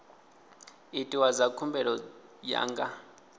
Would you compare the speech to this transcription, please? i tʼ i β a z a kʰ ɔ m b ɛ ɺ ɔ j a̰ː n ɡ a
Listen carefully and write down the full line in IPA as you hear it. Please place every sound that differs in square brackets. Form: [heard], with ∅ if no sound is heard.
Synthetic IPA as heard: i tʼ i [w] a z a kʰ [u] m b ɛ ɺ ɔ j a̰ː [ŋ] ɡ a

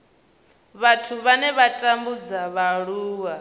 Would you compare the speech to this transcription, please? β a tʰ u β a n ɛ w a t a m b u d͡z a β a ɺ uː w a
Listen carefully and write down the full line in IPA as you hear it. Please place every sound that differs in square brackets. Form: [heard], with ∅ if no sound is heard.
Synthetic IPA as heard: β a tʰ u β a n ɛ [β] a [tʼ] a m b u d͡z a β a ɺ uː w a

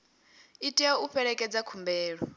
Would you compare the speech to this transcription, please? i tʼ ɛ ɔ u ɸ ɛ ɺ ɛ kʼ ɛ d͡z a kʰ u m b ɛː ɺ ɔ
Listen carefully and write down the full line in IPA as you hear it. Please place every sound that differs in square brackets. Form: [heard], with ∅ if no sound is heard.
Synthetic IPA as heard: i tʼ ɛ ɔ u ɸ ɛ ɺ ɛ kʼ ɛ d͡z a kʰ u m b ɛː ɺ ɔ

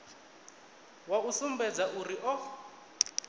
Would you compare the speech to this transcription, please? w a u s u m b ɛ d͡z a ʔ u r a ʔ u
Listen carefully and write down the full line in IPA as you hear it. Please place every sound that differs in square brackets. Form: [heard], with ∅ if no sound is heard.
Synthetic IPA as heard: w a u s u m b ɛ d͡z a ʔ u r [i] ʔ [ɔ]

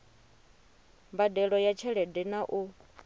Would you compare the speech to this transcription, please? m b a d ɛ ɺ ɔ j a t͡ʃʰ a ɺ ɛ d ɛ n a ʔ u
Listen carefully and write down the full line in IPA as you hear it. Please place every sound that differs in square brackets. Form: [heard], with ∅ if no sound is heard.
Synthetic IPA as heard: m b a d ɛ ɺ ɔ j a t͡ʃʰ [ɛ] ɺ ɛ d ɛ n a ʔ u

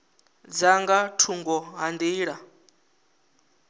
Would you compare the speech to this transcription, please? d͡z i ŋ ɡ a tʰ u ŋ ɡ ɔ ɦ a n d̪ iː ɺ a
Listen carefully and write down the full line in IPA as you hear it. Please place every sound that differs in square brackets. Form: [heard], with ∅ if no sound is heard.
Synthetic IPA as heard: d͡z [a] ŋ ɡ a tʰ u ŋ ɡ ɔ ɦ a n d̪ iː ɺ a

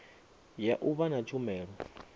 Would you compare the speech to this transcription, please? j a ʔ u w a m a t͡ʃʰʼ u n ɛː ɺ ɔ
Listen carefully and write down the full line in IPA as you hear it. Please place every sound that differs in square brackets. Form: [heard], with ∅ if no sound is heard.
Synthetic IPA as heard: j a ʔ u [β] a [n] a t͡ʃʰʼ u [m] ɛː ɺ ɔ

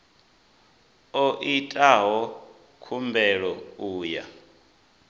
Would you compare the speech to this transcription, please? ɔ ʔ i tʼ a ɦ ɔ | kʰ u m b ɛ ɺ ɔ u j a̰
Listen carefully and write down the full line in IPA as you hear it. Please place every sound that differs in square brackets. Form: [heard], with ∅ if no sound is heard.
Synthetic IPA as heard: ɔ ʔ i tʼ a ɦ ɔ | kʰ u m b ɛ ɺ ɔ [uː] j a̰

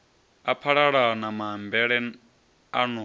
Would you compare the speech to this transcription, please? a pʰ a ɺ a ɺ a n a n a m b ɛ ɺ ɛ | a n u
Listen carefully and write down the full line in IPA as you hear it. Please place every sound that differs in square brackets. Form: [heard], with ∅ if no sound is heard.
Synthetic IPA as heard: a pʰ a ɺ a ɺ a n a [m] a m b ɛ ɺ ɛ | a n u

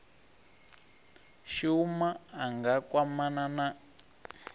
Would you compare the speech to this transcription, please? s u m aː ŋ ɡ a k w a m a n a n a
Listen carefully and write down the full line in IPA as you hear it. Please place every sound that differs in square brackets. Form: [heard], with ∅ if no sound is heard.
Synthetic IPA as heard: [ʃ] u m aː ŋ ɡ a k w a m a n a n a

